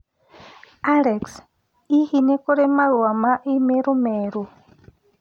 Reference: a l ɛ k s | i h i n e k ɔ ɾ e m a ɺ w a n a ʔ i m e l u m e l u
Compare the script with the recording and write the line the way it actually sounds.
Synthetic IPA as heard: a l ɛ k s | i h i n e k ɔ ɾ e m a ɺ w a m a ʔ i m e ɾ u m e ɾ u